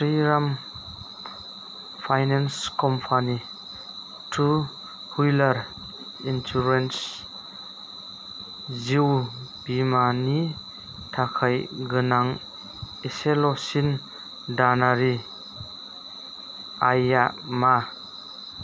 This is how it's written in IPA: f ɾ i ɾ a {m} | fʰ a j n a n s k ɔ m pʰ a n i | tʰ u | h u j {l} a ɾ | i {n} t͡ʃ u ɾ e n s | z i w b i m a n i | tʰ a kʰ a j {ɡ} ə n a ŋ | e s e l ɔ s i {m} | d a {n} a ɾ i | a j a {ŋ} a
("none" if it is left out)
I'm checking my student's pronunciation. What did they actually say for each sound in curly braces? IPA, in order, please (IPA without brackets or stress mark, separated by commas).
m, l, n, ɡ, n, n, m